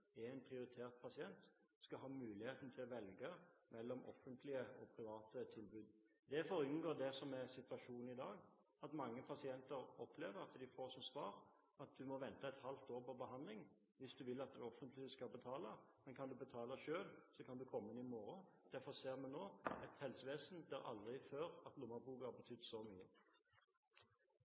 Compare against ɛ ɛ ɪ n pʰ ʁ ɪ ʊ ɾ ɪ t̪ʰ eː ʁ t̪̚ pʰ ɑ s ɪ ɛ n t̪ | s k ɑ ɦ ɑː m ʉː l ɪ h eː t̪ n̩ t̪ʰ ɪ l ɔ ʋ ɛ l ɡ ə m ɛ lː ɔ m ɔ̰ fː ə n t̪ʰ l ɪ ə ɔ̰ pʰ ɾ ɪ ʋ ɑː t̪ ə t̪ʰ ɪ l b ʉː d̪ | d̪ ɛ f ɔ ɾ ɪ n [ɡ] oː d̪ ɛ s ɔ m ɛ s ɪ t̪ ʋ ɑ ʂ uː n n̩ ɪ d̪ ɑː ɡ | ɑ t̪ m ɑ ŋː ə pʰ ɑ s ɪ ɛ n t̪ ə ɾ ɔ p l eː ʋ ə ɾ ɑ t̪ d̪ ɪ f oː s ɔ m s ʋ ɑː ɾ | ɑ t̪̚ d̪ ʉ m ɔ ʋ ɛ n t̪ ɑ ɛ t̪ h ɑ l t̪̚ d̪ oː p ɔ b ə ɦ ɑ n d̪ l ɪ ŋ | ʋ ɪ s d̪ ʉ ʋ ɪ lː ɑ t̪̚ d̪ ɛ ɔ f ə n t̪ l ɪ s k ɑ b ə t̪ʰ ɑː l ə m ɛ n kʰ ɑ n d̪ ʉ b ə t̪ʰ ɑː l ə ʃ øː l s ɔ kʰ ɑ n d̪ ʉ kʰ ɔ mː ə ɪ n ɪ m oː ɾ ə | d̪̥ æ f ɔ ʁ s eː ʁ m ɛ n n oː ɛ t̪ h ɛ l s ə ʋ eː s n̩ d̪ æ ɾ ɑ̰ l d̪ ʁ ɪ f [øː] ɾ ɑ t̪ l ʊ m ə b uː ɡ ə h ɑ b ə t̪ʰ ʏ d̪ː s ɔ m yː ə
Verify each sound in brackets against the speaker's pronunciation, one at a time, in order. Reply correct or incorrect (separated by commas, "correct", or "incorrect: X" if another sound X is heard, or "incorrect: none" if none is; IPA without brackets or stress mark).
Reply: correct, correct